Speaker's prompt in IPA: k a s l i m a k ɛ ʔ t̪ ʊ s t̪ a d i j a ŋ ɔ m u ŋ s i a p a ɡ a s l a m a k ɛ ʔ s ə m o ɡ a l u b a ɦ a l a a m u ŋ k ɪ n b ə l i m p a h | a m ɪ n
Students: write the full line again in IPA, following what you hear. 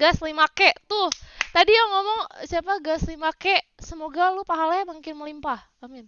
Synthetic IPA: ɡ a s l i m a k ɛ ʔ t̪ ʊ h t̪ a d i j a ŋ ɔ m ɔ ŋ s i a p a ɡ a s l i m a k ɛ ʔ s ə m o ɡ a l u p a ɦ a l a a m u ŋ k ɪ n m ə l i m p a h | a m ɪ n